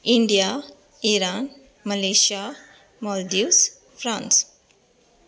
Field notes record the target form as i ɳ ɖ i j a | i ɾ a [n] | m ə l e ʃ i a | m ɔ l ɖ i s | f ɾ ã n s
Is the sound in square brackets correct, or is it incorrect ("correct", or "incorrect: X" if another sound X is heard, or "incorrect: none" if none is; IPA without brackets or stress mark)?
correct